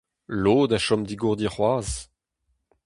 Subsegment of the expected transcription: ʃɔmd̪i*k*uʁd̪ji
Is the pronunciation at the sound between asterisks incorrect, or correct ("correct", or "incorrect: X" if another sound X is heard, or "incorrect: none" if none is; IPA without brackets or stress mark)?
incorrect: ɡ